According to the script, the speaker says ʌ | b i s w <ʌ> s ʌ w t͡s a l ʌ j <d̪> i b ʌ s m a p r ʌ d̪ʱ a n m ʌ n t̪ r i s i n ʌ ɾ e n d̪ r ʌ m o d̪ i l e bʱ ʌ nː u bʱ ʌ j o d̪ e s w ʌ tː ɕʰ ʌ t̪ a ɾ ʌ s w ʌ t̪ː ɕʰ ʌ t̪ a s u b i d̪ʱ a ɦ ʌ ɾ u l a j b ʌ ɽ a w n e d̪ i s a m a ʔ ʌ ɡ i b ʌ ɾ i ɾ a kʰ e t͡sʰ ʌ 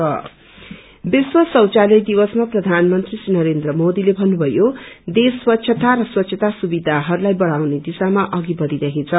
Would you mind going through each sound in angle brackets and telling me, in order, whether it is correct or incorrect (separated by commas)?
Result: correct, correct